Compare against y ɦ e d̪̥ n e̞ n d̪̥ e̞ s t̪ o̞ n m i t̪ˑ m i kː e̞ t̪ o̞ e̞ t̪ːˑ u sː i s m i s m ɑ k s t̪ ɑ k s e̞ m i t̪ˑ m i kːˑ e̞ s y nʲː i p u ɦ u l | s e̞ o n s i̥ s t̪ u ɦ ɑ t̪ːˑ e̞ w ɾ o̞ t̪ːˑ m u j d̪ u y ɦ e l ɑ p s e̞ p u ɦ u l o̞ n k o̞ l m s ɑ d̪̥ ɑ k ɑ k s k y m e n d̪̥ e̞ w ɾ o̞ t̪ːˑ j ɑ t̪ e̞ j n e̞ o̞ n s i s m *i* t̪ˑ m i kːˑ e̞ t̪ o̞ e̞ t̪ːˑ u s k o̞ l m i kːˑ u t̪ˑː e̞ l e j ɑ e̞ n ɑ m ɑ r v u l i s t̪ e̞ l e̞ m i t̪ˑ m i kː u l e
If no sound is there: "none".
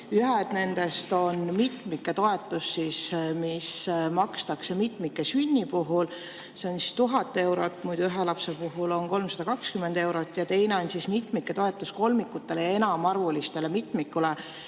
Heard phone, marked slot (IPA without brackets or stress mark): i